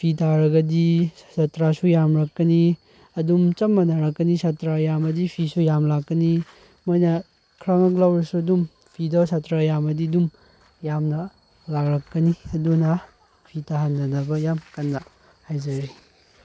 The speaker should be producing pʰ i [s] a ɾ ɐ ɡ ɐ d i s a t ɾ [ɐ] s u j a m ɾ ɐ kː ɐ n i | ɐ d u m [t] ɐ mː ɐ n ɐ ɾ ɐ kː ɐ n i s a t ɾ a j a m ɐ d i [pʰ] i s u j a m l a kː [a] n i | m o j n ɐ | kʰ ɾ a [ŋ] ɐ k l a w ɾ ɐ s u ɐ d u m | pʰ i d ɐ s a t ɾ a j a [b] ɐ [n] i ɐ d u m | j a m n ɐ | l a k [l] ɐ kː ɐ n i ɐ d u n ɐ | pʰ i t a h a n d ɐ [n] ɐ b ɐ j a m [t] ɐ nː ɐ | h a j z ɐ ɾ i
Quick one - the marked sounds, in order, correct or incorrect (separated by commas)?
incorrect, incorrect, incorrect, correct, incorrect, correct, incorrect, incorrect, incorrect, correct, incorrect